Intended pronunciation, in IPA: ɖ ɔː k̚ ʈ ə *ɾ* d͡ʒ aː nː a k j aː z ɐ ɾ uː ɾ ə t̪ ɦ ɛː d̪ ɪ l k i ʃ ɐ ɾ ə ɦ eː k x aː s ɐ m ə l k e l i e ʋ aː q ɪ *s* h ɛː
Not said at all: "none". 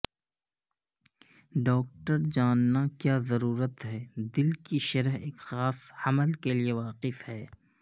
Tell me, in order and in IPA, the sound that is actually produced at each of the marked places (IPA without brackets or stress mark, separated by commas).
ɾ, f